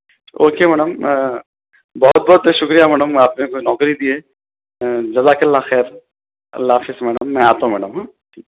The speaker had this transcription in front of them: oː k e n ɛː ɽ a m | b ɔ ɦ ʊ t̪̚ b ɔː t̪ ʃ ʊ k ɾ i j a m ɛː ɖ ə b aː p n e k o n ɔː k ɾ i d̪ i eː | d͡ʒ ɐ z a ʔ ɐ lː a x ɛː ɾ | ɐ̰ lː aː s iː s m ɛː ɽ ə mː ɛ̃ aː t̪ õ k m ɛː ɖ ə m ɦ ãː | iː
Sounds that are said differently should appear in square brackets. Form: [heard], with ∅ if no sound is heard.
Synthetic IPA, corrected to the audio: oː k e [m] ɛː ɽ [ə] m | b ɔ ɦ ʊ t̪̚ b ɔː t̪ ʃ ʊ k ɾ i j a m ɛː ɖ ə [m] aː p n e k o n ɔː k ɾ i d̪ i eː | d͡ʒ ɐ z a [k] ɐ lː a x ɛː ɾ | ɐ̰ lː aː [f] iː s m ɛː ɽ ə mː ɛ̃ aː t̪ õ [∅] m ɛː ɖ ə m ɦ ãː | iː